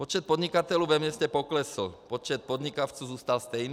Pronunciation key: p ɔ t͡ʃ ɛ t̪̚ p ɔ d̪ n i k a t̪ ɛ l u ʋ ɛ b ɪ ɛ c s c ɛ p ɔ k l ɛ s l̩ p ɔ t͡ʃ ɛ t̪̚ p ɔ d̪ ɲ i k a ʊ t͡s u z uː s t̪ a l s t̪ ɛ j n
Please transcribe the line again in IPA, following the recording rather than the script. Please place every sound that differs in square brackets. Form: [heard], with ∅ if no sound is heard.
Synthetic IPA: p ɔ t͡ʃ ɛ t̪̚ p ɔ d̪ [ɲ] i k a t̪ ɛ l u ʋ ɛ [m] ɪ ɛ [∅] s c ɛ p ɔ k l ɛ s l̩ p ɔ t͡ʃ ɛ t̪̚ p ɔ d̪ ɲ i k a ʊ t͡s u z uː s t̪ a l s t̪ ɛ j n